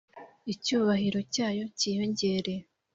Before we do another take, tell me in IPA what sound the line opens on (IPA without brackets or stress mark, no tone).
i